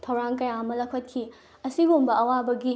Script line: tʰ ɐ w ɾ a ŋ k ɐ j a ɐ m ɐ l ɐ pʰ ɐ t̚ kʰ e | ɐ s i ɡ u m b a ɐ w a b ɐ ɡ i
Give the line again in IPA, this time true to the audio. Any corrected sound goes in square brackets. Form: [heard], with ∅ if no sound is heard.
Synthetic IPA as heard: tʰ ɐ w ɾ a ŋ k ɐ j a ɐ m ɐ l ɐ [kʰ] ɐ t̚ kʰ [i] | ɐ s i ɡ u m b [ɐ] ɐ w a b ɐ ɡ i